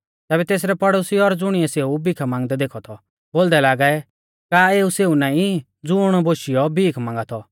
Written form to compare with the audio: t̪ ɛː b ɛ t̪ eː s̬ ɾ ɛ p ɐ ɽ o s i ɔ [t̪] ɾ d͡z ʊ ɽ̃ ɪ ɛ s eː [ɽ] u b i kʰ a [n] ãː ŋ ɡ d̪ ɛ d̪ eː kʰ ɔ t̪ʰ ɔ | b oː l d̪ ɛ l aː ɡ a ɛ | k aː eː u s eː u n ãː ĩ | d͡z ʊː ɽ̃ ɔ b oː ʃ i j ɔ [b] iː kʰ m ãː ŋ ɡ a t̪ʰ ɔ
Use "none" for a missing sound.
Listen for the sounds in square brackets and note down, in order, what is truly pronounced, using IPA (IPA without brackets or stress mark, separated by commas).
none, none, m, b